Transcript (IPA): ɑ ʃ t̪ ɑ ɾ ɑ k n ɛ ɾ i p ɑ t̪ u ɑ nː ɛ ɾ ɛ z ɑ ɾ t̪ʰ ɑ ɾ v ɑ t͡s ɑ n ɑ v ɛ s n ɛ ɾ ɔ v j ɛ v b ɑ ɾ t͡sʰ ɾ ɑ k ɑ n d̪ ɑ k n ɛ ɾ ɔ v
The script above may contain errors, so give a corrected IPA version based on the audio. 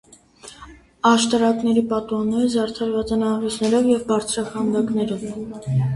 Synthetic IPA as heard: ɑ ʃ t̪ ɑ ɾ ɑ k n ɛ ɾ i p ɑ t̪ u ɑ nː ɛ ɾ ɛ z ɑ ɾ t̪ʰ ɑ ɾ v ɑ t͡s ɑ n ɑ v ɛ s n ɛ ɾ ɔ v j ɛ v b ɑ ɾ t͡sʰ ɾ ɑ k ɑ n d̪ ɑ k n ɛ ɾ ɔ v